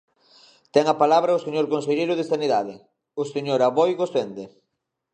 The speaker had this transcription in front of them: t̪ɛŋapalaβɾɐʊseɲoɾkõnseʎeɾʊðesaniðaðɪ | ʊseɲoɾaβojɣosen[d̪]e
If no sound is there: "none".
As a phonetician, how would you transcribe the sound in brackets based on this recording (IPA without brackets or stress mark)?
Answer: d̪